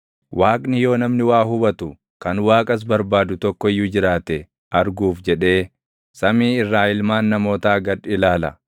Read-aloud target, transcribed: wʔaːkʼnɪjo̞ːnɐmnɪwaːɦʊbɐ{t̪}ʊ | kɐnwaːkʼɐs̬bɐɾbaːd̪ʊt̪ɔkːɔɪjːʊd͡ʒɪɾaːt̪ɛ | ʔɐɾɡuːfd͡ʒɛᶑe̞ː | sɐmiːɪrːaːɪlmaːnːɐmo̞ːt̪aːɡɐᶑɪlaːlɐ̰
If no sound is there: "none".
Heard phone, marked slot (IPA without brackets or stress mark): t̪